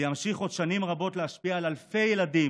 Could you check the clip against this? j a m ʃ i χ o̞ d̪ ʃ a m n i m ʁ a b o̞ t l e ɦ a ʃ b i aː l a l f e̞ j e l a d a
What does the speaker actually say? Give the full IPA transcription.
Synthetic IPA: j a m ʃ i χ o̞ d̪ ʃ a n i m ʁ a b o̞ t l e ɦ a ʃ p i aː l a l f e̞ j e l a d i

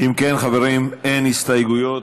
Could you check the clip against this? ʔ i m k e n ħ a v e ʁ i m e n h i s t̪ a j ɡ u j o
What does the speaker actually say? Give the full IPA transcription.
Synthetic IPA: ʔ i m k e n χ a v e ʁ i m e n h i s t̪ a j ɡ u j o

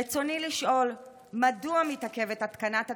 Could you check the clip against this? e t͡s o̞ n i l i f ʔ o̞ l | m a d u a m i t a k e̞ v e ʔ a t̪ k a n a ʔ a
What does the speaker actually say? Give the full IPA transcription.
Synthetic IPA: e t͡s o̞ n i l i ʃ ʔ o̞ l | m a d u a m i t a k e̞ v e t a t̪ k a n a t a

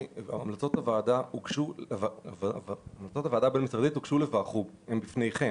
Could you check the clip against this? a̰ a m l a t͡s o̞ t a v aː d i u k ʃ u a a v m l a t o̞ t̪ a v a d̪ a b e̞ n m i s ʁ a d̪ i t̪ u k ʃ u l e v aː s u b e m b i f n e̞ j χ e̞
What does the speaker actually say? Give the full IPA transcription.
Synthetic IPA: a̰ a m l a t͡s o̞ t a v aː d a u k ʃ u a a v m l a t͡s o̞ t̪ a v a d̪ a b e̞ n m i s ʁ a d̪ i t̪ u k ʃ u l e v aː χ u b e m b i f n e̞ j χ e̞

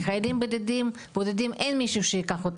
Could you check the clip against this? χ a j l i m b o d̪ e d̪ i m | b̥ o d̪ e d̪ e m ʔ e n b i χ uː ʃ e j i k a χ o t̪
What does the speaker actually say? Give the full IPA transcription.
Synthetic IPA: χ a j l i m b o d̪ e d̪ i m | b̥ o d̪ e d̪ i m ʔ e n m i ʃ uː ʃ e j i k a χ o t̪

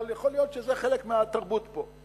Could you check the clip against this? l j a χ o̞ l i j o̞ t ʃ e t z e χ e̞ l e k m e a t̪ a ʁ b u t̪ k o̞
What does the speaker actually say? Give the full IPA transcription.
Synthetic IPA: l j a χ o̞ l i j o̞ t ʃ e z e χ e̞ l e k m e a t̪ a ʁ b u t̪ p o̞

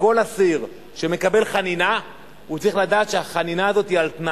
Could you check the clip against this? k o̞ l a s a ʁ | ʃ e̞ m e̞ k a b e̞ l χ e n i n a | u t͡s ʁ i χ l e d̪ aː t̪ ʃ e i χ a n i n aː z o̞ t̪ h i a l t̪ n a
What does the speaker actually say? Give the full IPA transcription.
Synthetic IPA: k o̞ l a s i ʁ | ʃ e̞ m e̞ k a b e̞ l χ a n i n a | u t͡s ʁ i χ l a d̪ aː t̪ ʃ e a χ a n i n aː z o̞ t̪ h i a l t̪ n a

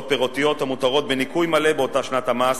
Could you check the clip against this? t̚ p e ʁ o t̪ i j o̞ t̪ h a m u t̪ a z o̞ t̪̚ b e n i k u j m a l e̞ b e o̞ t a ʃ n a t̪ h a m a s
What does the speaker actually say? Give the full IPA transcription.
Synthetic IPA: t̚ p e ʁ o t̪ i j o̞ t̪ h a m u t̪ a ʁ o̞ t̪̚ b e n i k u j m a l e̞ b e o̞ t a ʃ n a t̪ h a m a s

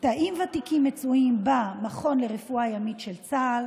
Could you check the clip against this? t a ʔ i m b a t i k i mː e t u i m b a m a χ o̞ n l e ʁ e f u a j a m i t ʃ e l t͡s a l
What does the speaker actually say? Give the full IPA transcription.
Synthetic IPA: t a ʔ i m v a t i k i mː e t͡s u i m b a m a χ o̞ n l e ʁ e f u a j a m i t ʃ e l t͡s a l

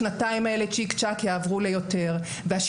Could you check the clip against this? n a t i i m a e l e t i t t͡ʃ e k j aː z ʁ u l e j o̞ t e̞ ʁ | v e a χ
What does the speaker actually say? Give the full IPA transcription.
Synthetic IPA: n a t a i m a e l e t͡ʃ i k t͡ʃ a k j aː v ʁ u l e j o̞ t e̞ ʁ | v e a ʃ

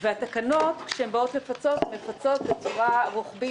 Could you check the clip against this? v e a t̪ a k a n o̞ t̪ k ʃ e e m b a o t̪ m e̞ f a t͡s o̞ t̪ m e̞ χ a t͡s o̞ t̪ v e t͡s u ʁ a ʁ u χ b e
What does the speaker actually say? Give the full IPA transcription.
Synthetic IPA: v e a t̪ a k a n o̞ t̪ k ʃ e e m b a o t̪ m e̞ f a t͡s o̞ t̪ m e̞ f a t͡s o̞ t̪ b e t͡s u ʁ a ʁ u χ b i

